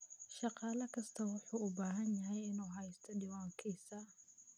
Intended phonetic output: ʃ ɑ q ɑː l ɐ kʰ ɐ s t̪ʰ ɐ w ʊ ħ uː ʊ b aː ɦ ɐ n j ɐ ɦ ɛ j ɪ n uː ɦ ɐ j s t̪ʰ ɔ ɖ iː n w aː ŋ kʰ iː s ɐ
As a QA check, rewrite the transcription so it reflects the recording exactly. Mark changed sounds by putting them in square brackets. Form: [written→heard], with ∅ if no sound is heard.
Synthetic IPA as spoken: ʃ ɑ q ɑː l ɐ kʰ ɐ s t̪ʰ ɐ w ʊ ħ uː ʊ b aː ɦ ɐ n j ɐ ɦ ɛ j ɪ n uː ɦ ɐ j s t̪ʰ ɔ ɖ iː [n→∅] w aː ŋ kʰ iː s ɐ